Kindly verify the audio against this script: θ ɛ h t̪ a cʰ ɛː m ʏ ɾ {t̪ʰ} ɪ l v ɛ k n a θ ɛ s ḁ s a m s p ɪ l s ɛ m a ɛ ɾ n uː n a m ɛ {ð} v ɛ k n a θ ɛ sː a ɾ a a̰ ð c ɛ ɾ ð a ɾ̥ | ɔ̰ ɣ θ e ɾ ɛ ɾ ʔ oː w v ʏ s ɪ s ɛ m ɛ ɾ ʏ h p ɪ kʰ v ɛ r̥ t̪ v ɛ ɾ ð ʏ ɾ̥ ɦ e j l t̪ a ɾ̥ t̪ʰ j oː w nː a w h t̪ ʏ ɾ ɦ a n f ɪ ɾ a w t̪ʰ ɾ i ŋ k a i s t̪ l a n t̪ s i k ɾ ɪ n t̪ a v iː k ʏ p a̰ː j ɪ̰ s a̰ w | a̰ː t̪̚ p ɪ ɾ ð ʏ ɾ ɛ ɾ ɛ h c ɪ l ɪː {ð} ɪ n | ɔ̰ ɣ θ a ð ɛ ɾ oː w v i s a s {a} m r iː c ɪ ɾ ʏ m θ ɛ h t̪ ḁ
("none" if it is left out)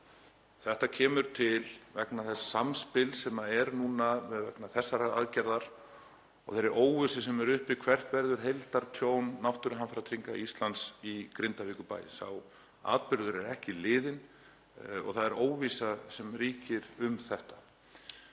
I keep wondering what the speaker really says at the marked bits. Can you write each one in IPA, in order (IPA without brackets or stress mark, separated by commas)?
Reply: t̪ʰ, ð, ð, ɛ